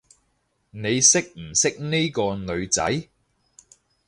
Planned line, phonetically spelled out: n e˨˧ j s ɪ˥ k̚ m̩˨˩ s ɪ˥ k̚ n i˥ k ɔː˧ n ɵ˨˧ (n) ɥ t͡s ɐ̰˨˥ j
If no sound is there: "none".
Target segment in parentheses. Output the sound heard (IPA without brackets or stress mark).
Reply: none